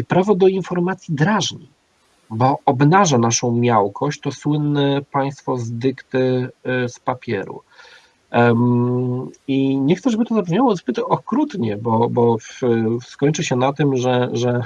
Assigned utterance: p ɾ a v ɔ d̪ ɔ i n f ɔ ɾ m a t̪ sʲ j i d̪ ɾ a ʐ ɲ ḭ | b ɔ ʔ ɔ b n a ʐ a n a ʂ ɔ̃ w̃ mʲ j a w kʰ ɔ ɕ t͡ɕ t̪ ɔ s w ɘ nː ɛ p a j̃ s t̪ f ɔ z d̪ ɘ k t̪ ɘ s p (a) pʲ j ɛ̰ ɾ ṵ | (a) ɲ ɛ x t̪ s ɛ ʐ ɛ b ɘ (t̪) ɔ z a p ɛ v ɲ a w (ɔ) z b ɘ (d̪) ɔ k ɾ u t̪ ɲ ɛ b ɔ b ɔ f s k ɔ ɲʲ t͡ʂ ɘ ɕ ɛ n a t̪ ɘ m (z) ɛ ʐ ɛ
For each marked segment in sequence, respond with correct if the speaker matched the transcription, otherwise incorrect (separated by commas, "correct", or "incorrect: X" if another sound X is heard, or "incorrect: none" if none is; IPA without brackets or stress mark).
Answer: correct, incorrect: i, correct, correct, incorrect: t̪, incorrect: ʐ